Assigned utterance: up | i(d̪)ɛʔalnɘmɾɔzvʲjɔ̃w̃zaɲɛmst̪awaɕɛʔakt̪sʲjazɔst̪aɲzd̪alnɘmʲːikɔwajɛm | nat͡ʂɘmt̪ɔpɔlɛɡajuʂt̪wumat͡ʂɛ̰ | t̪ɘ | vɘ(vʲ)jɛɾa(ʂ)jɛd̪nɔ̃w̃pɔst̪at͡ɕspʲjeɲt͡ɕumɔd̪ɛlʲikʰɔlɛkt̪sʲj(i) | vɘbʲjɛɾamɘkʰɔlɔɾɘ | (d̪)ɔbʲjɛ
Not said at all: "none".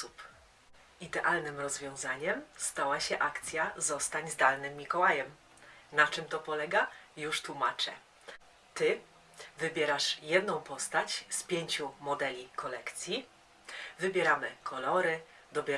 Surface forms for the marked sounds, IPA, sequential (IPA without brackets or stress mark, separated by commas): d̪, bʲ, ʂ, i, d̪